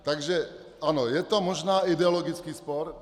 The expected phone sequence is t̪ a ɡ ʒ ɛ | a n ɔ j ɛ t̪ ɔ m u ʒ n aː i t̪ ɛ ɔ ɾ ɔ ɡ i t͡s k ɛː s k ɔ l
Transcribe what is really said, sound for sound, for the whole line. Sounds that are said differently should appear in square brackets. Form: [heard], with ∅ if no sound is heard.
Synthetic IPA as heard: t̪ a ɡ ʒ ɛ | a n ɔ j ɛ t̪ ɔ m [ɔ] ʒ n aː i [d̪] ɛ ɔ [l] ɔ ɡ i t͡s k [iː] s [p] ɔ [ɾ]